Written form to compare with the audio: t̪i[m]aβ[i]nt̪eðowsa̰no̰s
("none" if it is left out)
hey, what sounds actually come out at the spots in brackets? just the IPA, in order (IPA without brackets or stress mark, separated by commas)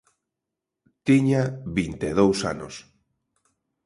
ɲ, i